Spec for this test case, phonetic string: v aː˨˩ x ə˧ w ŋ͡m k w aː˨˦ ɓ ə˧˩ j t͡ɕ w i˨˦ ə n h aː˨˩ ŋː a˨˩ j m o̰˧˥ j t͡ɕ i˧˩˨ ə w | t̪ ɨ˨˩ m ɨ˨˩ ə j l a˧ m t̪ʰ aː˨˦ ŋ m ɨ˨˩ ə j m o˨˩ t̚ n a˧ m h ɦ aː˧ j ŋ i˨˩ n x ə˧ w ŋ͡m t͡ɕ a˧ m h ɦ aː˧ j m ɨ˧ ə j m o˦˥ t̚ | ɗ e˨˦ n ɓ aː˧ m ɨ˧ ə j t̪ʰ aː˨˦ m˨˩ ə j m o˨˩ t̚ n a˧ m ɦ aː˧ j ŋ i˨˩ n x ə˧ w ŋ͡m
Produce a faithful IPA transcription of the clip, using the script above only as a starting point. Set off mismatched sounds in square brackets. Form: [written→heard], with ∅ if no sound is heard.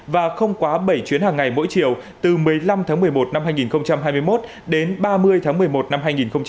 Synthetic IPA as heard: v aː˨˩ x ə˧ w ŋ͡m k w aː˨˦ ɓ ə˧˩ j t͡ɕ w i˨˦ ə n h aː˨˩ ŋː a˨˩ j m o̰˧˥ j t͡ɕ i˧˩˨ ə w | t̪ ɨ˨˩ m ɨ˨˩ ə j l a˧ m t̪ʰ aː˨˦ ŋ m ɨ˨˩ ə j m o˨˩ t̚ n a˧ m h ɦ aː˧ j ŋ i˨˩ n x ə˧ w ŋ͡m t͡ɕ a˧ m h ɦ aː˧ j m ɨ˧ ə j m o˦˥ t̚ | ɗ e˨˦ n ɓ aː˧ m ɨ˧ ə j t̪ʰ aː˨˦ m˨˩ ə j m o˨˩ t̚ n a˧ m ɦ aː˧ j ŋ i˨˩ n x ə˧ w ŋ͡m